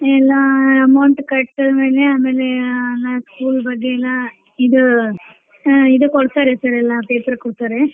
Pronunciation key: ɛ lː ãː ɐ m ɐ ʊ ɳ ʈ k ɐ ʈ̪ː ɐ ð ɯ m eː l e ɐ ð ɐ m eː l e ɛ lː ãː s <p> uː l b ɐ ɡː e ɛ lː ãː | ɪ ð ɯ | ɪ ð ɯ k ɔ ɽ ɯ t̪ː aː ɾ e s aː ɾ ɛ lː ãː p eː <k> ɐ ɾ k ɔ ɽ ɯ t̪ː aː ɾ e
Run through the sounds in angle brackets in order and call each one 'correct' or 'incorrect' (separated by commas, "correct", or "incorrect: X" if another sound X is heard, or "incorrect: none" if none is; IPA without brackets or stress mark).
incorrect: k, incorrect: p